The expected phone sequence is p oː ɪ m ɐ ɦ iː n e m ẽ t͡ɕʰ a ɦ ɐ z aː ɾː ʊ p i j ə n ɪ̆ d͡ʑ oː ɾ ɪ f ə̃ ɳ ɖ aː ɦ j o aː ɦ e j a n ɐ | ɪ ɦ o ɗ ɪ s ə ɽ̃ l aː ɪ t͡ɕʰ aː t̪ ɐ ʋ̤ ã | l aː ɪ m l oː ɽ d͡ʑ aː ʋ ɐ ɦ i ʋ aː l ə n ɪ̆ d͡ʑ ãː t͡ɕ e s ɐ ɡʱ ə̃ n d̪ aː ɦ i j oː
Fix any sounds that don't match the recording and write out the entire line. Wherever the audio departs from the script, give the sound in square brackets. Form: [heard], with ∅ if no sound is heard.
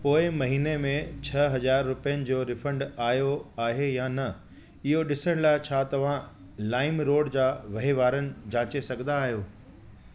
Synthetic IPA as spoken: p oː ɪ m ɐ ɦ iː n e m ẽ t͡ɕʰ [ɐ] ɦ ɐ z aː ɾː ʊ p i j ə n ɪ̆ d͡ʑ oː ɾ ɪ f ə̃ ɳ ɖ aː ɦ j o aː ɦ e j a n ɐ | ɪ ɦ o ɗ ɪ s ə ɽ̃ l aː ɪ t͡ɕʰ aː t̪ ɐ ʋ̤ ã | l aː ɪ m [ɾ] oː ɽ d͡ʑ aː ʋ ɐ ɦ i ʋ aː [ɾ] ə n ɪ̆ d͡ʑ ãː t͡ɕ e s ɐ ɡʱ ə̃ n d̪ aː ɦ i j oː